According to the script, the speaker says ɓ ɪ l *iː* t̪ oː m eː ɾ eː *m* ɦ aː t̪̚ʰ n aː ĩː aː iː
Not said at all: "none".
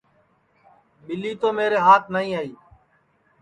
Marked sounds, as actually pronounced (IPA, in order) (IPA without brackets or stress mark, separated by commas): iː, none